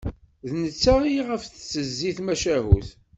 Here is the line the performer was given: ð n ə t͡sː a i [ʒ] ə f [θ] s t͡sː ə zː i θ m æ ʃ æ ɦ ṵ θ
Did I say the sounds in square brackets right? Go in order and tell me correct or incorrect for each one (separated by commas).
incorrect, correct